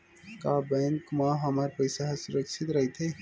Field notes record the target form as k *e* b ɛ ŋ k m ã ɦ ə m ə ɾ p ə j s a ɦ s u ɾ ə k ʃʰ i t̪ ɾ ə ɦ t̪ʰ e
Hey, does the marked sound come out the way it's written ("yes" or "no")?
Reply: no